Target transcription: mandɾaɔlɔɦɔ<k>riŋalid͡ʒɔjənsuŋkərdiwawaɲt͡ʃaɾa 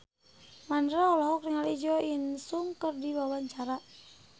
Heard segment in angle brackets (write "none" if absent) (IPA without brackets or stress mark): k